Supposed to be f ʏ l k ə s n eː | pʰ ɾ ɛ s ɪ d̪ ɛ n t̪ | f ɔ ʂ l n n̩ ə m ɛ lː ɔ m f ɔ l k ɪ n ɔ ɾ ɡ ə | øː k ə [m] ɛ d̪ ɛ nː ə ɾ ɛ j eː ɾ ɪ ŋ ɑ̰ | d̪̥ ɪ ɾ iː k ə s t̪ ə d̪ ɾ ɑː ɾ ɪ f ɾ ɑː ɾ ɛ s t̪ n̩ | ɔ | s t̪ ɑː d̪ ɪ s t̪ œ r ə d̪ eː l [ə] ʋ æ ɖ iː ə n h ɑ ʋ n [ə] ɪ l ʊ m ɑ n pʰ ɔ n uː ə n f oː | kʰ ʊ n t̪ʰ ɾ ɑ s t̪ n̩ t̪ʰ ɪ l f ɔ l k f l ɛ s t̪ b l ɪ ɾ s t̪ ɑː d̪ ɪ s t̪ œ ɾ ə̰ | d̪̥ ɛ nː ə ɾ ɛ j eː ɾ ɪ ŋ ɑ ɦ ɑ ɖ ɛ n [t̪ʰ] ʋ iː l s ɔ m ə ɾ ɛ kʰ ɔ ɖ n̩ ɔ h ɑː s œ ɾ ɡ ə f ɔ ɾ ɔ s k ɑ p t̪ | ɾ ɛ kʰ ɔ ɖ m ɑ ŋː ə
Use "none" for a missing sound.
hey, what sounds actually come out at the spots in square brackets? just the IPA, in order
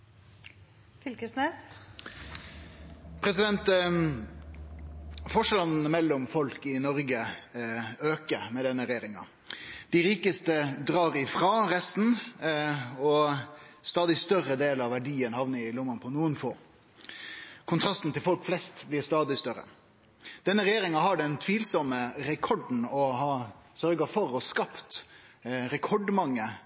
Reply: m, ɑ, ə, t̪ʰ

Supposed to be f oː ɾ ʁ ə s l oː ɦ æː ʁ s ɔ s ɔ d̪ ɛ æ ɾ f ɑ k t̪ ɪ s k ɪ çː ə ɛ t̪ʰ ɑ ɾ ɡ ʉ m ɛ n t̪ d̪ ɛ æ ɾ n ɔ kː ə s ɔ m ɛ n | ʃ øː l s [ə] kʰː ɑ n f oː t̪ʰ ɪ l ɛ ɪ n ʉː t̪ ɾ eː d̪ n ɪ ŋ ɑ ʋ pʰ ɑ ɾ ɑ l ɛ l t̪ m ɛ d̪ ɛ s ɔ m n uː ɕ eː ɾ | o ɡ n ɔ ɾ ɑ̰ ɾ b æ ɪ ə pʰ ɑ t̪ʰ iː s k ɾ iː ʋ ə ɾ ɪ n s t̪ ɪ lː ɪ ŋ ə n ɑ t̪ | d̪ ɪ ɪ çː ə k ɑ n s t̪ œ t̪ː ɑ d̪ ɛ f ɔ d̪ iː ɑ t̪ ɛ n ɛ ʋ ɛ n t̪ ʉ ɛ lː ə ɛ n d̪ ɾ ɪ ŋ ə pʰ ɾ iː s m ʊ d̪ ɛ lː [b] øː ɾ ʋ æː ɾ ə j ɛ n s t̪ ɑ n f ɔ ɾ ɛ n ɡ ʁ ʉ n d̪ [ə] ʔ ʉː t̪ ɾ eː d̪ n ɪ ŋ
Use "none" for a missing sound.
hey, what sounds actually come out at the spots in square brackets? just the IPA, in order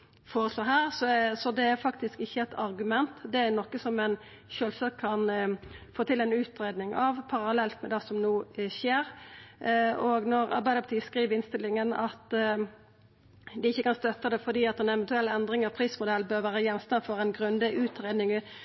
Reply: ɑ, b, ə

